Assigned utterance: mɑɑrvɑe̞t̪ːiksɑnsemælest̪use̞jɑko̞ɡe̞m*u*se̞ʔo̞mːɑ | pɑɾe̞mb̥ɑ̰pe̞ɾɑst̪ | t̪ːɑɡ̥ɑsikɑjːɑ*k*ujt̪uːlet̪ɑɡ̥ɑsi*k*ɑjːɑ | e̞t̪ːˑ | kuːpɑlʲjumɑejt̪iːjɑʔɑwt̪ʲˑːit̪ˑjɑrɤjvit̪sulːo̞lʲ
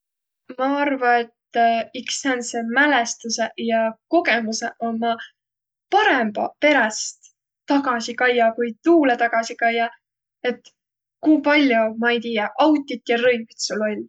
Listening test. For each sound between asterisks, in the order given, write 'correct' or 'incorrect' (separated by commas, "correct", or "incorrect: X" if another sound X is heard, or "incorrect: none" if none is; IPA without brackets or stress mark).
correct, correct, correct